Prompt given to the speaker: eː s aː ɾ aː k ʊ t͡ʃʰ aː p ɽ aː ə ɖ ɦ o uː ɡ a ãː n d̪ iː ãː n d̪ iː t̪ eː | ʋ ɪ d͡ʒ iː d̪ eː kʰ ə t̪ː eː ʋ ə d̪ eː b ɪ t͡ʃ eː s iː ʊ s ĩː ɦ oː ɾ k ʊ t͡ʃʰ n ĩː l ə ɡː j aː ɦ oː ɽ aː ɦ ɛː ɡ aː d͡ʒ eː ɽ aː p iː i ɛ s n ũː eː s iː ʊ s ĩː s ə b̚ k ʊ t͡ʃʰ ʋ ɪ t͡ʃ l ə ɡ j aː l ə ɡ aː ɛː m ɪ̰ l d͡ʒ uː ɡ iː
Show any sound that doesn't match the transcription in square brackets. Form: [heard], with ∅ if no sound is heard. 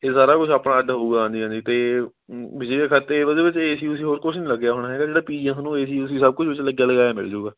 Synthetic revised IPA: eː s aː ɾ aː k ʊ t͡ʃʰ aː p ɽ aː ə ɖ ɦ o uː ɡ a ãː n d̪ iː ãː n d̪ iː t̪ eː | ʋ ɪ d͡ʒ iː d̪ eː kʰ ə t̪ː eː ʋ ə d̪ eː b ɪ t͡ʃ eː s iː ʊ s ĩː ɦ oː ɾ k ʊ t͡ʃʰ n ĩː l ə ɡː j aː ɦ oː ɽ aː ɦ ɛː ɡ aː d͡ʒ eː ɽ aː p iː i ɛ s n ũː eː s iː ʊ s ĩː s ə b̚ k ʊ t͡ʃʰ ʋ ɪ t͡ʃ l ə ɡ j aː l ə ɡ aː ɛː m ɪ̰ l d͡ʒ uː ɡ [aː]